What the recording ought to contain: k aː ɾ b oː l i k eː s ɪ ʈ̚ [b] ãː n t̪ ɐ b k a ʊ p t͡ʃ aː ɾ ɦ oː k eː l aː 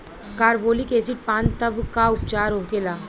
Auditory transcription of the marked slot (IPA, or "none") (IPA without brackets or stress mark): p